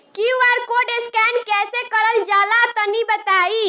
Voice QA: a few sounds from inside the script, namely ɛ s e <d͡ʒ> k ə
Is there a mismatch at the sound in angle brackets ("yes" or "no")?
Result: yes